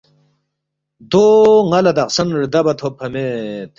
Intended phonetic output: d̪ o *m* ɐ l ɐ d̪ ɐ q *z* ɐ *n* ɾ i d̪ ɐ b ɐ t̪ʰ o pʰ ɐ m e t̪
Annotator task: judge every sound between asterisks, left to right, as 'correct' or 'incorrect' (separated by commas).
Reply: incorrect, incorrect, correct